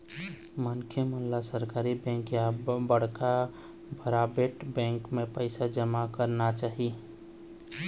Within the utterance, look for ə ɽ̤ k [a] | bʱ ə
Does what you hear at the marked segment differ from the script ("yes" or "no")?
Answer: no